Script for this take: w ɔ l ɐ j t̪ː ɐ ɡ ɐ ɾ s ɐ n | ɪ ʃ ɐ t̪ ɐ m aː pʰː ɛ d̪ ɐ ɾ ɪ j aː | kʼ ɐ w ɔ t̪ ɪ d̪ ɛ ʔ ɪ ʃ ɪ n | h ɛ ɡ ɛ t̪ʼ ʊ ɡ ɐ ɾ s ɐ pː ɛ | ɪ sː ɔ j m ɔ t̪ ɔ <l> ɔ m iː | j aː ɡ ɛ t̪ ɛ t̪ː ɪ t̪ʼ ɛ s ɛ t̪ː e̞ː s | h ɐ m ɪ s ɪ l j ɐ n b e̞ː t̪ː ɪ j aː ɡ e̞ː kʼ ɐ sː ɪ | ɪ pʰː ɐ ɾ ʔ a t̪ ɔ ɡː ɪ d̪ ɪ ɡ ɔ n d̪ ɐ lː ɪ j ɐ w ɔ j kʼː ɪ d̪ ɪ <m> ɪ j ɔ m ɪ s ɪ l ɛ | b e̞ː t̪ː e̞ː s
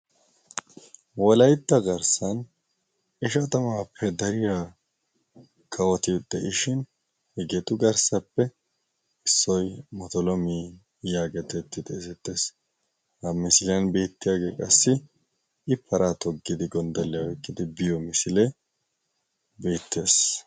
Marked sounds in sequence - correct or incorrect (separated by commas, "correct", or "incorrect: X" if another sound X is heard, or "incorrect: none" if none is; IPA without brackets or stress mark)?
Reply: correct, incorrect: b